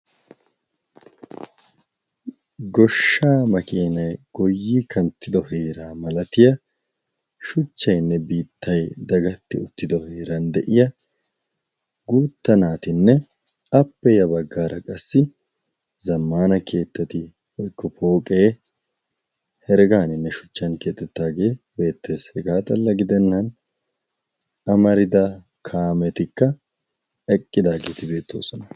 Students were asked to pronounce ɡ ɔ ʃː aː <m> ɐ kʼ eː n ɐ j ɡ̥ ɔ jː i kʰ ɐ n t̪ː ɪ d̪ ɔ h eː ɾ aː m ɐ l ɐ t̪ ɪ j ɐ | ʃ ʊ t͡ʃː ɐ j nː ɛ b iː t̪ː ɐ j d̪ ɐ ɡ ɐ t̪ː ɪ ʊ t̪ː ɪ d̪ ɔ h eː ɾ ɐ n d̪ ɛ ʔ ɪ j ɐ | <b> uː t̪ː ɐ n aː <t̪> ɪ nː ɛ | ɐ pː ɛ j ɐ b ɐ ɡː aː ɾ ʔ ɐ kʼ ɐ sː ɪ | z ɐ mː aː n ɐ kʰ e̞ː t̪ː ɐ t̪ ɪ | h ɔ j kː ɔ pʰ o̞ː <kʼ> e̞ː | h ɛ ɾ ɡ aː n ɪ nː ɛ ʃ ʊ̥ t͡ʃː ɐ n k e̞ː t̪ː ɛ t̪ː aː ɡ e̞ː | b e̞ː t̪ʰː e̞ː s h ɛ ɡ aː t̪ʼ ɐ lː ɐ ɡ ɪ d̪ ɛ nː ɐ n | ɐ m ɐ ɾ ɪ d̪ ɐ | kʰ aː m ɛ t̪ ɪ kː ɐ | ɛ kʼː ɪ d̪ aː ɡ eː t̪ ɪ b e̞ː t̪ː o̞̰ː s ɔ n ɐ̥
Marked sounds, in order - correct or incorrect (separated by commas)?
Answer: correct, incorrect, correct, correct